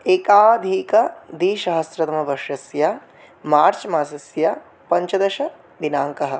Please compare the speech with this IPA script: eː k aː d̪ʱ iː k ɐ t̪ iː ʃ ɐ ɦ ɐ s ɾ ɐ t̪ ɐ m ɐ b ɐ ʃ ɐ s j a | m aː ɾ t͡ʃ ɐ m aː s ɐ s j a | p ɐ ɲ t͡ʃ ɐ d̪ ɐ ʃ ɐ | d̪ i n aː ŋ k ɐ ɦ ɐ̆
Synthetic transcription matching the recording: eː k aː d̪ʱ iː k ɐ d̪ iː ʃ ɐ ɦ ɐ s ɾ ɐ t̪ ɐ m ɐ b ɐ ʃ ɐ s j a | m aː ɾ t͡ʃ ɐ m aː s ɐ s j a | p ɐ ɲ t͡ʃ ɐ d̪ ɐ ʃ ɐ | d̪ i n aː ŋ k ɐ ɦ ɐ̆